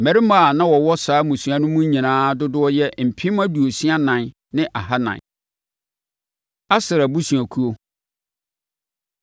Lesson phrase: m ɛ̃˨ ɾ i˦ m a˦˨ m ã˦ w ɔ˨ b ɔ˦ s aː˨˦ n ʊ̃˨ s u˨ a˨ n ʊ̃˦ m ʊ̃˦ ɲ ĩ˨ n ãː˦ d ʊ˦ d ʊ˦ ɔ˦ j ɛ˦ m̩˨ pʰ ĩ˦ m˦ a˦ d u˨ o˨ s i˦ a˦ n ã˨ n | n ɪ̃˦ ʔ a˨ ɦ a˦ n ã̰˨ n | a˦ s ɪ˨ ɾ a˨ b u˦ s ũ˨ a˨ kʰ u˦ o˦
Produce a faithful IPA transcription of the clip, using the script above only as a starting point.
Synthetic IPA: m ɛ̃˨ ɾ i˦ m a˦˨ n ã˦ w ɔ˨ w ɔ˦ s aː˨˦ m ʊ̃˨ s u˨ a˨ n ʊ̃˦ m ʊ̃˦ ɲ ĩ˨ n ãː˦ d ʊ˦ d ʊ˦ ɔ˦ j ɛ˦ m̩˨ pʰ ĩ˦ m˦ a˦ d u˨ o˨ s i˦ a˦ n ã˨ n | n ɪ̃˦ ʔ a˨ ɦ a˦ n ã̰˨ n | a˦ s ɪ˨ ɾ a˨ b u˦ s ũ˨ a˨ kʰ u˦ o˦